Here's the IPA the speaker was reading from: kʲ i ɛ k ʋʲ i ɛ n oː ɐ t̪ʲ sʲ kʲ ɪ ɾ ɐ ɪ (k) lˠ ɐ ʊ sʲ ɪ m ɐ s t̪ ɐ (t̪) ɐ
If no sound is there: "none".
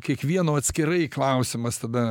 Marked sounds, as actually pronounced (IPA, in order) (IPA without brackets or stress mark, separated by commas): k, d̪